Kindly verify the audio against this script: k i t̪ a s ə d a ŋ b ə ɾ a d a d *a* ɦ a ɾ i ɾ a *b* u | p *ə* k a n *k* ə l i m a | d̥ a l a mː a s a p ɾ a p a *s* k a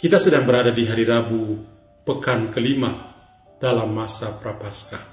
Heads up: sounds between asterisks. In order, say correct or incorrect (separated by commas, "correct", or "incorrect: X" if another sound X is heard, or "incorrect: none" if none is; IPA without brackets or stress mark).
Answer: incorrect: i, correct, correct, correct, correct